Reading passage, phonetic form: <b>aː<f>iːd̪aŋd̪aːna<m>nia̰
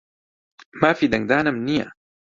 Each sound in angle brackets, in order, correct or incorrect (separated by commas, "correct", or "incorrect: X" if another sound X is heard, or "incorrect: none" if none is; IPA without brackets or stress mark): incorrect: m, correct, correct